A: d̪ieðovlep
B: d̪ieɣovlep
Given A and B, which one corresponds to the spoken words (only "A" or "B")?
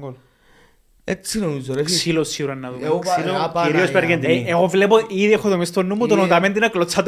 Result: B